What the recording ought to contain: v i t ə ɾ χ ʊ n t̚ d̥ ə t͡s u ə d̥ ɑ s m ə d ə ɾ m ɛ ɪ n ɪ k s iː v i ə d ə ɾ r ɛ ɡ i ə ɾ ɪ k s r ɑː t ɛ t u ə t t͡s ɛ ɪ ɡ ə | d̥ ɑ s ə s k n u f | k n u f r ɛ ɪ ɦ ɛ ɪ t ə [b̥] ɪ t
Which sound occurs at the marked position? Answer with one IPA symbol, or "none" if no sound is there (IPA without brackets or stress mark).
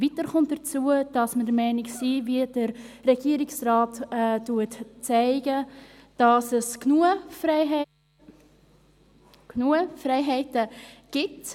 ɡ̥